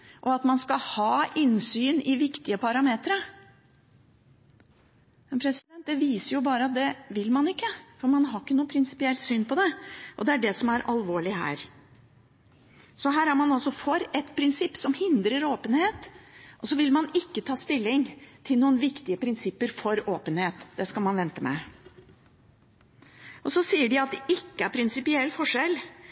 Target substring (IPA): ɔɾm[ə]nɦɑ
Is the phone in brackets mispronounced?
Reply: yes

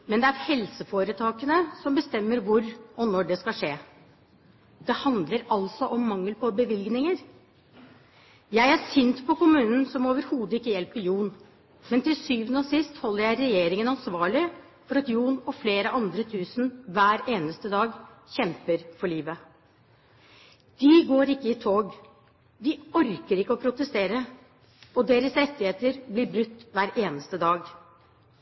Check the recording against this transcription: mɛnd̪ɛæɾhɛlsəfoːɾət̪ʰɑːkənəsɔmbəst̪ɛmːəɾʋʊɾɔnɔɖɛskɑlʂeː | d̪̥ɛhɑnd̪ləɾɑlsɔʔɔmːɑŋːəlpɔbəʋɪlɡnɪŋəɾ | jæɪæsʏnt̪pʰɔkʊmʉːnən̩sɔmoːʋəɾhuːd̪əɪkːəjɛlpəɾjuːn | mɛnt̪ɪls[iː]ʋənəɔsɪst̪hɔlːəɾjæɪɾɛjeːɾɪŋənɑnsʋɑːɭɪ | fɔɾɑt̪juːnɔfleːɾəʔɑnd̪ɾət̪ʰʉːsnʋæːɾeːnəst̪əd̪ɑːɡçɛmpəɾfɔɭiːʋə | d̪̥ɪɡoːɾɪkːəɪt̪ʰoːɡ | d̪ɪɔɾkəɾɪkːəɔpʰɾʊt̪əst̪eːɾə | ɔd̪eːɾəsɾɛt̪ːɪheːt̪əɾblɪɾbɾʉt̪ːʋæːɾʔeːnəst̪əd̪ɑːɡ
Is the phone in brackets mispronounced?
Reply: yes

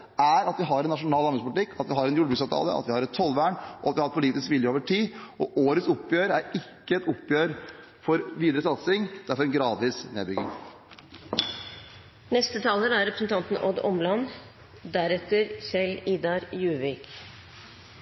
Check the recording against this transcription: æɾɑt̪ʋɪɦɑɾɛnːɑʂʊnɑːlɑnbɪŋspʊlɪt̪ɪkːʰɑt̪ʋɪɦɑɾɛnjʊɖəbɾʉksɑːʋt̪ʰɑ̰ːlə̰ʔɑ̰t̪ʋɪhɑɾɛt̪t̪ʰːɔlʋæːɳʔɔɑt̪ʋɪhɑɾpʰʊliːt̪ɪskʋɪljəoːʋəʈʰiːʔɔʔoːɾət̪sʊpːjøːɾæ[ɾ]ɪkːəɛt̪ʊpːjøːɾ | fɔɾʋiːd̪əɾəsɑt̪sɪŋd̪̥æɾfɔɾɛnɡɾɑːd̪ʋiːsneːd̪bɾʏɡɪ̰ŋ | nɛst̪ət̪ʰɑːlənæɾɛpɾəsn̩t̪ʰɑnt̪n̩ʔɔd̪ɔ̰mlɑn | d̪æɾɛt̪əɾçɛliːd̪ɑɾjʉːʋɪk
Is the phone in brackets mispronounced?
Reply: no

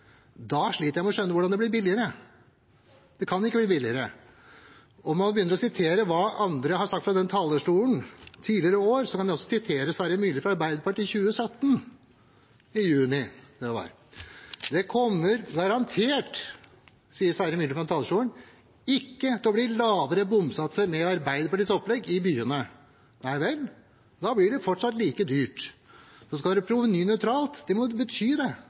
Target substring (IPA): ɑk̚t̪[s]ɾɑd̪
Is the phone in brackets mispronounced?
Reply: yes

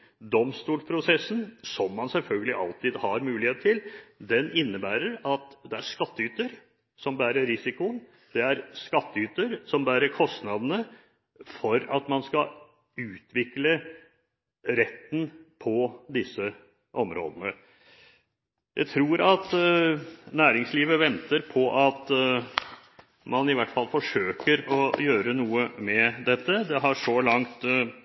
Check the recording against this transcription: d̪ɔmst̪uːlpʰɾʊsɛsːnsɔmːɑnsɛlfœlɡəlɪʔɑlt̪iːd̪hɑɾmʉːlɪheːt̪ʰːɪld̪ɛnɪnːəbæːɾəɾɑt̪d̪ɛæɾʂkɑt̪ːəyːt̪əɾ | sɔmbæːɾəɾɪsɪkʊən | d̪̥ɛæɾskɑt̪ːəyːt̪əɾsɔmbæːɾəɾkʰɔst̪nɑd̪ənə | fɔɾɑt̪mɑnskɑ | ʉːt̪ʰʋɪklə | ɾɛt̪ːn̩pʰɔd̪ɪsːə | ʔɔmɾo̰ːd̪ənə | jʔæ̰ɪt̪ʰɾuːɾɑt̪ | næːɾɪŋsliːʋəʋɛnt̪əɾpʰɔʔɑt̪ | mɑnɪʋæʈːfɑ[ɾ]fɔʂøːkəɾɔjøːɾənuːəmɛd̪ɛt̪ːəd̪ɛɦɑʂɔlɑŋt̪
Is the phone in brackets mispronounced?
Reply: yes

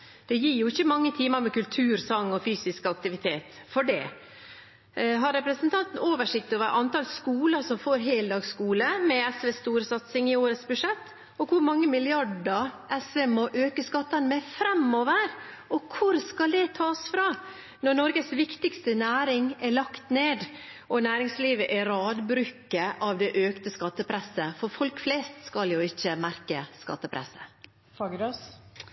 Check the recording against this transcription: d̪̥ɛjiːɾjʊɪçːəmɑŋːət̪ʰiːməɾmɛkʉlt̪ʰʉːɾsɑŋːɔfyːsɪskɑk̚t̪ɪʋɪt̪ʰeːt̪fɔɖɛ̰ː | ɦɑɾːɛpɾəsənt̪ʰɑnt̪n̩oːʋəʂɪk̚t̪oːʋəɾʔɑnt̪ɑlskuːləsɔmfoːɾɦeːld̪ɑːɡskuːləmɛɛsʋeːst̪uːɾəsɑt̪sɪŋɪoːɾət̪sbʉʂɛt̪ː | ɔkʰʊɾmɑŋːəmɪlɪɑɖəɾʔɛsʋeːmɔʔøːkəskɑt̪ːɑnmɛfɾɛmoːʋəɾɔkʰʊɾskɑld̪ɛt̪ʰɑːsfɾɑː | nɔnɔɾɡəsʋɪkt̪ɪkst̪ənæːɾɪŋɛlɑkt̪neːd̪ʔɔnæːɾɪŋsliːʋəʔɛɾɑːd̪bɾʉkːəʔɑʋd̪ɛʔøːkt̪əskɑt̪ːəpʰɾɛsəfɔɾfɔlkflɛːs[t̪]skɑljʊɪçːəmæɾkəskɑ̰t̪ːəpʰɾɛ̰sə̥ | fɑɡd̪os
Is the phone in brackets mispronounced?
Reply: no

